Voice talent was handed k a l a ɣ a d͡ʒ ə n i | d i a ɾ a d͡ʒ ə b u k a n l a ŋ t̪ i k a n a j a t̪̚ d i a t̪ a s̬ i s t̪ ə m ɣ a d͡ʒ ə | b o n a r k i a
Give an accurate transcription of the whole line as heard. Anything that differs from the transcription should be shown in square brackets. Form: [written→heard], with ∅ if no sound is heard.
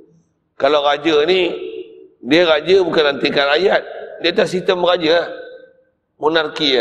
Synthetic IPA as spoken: k a l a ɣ a d͡ʒ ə n i | d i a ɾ a d͡ʒ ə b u k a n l a [ŋ→n] t̪ i k a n a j a t̪̚ d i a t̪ a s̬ i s t̪ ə m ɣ a d͡ʒ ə | [b→m] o n a r k i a